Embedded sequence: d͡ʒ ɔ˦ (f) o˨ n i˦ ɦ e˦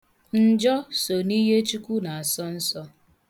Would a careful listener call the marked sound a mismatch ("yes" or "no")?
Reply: yes